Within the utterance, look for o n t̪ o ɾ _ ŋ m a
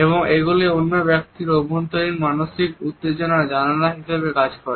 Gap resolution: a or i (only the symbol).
i